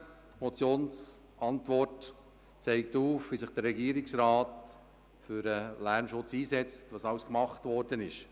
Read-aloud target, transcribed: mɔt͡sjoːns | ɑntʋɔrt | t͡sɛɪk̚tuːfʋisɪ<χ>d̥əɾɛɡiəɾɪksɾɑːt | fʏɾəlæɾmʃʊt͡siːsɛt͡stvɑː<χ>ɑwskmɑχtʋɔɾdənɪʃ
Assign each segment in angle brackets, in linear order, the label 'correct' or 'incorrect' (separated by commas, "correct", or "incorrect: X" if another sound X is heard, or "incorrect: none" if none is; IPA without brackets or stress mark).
correct, incorrect: s